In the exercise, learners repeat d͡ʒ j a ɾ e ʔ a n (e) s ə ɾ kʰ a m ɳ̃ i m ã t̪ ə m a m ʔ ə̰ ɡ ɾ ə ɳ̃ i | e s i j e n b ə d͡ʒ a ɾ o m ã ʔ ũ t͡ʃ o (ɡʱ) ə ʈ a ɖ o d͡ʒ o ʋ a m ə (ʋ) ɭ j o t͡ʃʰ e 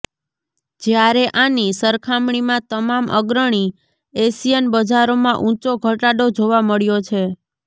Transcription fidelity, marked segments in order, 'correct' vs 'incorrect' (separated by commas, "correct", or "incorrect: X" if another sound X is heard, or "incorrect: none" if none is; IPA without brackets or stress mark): incorrect: i, correct, incorrect: none